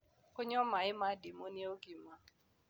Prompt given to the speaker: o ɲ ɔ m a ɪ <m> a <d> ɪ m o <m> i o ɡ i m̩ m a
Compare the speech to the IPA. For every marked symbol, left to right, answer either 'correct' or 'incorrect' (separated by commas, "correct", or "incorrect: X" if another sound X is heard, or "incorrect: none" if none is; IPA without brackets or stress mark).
correct, correct, incorrect: n